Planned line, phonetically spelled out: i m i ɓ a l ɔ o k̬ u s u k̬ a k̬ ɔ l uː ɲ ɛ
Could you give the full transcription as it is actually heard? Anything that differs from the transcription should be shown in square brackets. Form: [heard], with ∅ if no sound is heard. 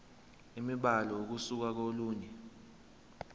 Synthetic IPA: i m i ɓ a l ɔ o k̬ u s u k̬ a k̬ [o] l uː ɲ ɛ